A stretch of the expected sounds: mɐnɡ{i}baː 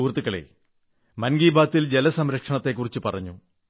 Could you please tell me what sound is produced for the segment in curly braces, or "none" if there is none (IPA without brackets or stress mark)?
iː